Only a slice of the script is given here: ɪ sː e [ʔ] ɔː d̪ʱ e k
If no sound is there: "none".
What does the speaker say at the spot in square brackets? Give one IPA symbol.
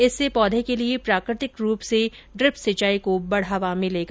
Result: p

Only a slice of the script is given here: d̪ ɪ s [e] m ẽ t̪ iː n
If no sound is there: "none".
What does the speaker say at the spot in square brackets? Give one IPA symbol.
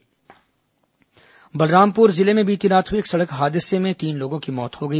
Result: e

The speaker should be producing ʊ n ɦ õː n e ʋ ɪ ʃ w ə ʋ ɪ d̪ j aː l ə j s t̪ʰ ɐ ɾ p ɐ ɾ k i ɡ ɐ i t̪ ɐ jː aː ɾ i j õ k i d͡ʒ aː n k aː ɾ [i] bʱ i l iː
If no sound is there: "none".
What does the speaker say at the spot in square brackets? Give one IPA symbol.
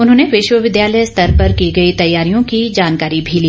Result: i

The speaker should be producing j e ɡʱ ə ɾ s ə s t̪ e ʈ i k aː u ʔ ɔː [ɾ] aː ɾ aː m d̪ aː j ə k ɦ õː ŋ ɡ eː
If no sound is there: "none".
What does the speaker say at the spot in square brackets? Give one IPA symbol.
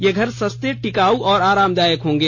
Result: ɾ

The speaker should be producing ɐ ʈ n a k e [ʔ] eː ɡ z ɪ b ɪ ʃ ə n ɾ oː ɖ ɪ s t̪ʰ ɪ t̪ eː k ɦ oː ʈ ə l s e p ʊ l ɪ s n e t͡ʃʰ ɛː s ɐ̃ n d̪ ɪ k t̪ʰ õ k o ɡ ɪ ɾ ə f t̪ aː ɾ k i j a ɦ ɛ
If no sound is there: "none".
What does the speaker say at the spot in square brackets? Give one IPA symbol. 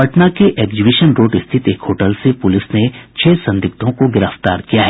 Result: ʔ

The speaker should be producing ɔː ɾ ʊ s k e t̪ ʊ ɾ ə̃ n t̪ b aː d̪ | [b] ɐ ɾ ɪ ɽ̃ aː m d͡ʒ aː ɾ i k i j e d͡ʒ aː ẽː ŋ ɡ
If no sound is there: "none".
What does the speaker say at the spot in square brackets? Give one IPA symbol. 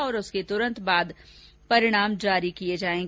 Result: p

